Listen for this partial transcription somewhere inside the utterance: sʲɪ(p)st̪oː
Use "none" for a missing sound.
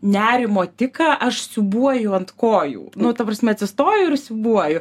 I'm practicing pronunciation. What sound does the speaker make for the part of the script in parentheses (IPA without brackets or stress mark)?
none